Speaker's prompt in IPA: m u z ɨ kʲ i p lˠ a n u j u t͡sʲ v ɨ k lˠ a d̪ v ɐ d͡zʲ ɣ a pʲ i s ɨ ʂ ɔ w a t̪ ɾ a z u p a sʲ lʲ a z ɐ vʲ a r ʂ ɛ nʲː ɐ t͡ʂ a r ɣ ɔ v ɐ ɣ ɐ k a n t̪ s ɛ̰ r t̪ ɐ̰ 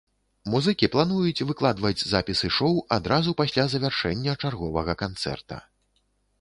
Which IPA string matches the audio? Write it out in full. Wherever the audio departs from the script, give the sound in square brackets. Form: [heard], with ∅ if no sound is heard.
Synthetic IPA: m u z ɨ kʲ i p lˠ a n u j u t͡sʲ v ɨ k lˠ a d̪ v ɐ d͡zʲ [z] a pʲ i s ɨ ʂ ɔ w a [d̪] ɾ a z u p a sʲ lʲ a z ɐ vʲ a r ʂ ɛ nʲː ɐ t͡ʂ a r ɣ ɔ v ɐ ɣ ɐ k a n t̪ s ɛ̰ r t̪ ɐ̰